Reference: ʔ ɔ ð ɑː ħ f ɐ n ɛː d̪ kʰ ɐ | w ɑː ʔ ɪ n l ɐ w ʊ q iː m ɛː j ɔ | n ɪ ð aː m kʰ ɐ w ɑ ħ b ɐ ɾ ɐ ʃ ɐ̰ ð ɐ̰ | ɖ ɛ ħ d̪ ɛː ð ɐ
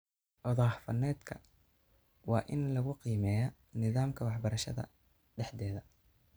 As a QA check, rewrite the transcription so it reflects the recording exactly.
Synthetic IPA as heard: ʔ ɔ ð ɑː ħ f ɐ n ɛː d̪ kʰ ɐ | w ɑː ʔ ɪ n l ɐ ɣ ʊ q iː m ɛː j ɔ | n ɪ ð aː m kʰ ɐ w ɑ ħ b ɐ ɾ ɐ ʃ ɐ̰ ð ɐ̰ | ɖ ɛ ħ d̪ ɛː ð ɐ